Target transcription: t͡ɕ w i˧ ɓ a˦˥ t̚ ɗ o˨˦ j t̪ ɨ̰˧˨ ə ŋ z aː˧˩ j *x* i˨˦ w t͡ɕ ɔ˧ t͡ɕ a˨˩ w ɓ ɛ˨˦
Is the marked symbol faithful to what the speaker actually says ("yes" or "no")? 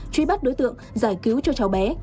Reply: no